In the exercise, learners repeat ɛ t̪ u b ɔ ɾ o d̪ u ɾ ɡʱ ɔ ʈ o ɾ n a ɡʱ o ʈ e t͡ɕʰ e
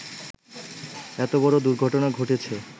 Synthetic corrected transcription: ɛ t̪ o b ɔ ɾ o d̪ u ɾ ɡʱ ɔ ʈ o n a ɡʱ o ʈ e t͡ɕʰ e